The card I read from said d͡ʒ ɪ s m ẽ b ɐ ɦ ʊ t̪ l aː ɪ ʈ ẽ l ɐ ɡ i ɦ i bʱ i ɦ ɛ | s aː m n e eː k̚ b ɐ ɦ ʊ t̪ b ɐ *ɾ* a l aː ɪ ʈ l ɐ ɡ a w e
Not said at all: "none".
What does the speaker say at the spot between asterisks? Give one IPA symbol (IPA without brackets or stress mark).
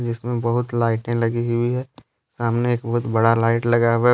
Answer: ɽ